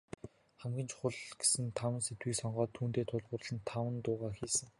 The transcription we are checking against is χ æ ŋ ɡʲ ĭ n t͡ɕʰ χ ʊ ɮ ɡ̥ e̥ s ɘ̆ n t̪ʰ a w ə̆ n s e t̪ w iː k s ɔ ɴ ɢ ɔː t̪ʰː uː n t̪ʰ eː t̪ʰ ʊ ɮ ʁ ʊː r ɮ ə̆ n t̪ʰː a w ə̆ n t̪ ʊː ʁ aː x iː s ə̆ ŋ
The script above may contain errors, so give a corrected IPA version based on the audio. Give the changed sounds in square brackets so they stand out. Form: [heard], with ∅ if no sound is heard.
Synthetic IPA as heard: χ æ [m] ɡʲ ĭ n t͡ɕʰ χ ʊ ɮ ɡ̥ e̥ s ɘ̆ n t̪ʰ a w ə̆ n s e t̪ w iː k s ɔ ɴ ɢ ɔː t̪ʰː uː n [t̪] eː t̪ʰ ʊ ɮ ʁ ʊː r ɮ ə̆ n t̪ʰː a w ə̆ n t̪ ʊː ʁ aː x iː s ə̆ ŋ